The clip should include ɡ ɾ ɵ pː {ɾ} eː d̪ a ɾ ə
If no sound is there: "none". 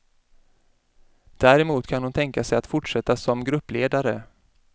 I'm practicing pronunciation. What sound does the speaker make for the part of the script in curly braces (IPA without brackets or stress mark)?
l